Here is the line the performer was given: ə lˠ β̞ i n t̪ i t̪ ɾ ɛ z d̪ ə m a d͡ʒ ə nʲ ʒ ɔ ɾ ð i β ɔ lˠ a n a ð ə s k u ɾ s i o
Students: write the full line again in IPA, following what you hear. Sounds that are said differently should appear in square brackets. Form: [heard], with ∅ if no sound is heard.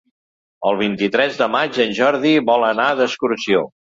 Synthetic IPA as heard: ə lˠ β̞ i n t̪ i t̪ ɾ ɛ z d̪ ə m a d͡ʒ ə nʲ ʒ ɔ ɾ ð i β ɔ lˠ [ə] n a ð ə s k u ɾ s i o